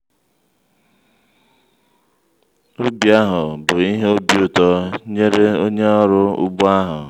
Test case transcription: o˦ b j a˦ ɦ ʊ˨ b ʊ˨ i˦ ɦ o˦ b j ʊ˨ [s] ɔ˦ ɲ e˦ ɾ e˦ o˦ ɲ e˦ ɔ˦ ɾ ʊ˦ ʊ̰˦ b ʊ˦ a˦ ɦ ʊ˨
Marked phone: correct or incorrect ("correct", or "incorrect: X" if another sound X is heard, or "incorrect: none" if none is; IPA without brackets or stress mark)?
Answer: incorrect: t